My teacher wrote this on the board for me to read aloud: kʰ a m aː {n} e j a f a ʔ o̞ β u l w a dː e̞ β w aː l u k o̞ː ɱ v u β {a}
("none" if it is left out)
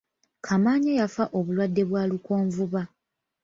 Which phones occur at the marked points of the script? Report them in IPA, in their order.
ɲ, a

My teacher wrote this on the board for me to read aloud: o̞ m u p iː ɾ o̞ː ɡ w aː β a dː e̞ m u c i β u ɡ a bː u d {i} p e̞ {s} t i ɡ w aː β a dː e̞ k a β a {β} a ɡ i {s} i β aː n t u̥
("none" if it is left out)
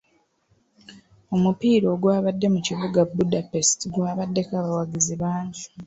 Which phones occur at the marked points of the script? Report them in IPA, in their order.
a, s, w, z

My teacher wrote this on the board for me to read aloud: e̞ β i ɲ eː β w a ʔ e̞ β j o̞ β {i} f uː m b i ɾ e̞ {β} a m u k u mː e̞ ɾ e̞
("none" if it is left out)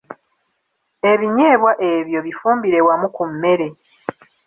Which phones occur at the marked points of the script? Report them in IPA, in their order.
i, w

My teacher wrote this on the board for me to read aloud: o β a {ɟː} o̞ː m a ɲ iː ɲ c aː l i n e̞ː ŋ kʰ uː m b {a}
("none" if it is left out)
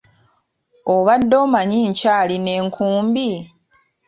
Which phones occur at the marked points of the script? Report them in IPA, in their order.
dː, i

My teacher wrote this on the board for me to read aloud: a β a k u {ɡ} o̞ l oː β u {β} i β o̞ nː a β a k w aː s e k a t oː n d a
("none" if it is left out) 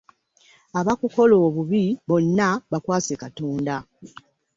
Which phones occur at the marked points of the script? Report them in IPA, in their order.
k, β

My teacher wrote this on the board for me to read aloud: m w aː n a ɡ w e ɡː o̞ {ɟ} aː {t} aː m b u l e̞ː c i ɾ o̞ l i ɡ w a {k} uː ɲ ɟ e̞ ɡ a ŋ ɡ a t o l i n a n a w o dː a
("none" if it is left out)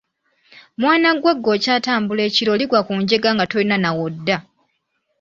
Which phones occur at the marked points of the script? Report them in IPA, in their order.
c, t, k

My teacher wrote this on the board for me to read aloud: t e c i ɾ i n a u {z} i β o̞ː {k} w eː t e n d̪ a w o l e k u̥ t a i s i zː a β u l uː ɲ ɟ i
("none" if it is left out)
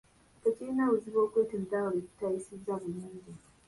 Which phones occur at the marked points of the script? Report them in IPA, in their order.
z, k

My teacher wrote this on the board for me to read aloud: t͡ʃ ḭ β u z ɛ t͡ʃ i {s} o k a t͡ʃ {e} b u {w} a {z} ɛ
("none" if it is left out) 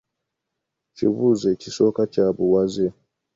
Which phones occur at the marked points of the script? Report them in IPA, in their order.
s, a, w, z

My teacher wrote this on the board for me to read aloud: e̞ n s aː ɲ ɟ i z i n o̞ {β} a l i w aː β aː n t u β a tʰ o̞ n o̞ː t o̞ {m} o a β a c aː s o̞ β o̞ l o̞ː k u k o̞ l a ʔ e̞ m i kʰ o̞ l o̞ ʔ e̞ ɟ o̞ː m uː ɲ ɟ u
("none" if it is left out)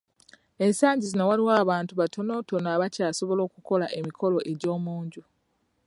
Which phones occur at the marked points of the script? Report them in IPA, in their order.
w, n

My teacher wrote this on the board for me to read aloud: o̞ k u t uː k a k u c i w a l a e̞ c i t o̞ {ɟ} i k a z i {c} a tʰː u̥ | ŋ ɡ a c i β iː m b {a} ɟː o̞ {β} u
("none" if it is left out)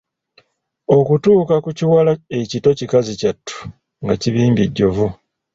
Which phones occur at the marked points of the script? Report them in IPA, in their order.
c, c, i, v

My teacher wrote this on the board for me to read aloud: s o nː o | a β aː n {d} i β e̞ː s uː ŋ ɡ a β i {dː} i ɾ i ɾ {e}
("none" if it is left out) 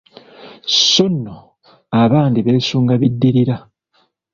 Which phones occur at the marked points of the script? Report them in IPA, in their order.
d, dː, a

